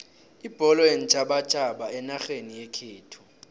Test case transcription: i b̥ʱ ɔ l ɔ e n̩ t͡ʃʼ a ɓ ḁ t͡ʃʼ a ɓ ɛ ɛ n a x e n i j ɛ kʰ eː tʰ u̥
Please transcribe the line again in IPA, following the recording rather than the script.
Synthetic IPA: i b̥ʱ ɔ l ɔ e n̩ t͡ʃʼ a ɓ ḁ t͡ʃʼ a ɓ a ɛ n a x e n i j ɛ kʰ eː tʰ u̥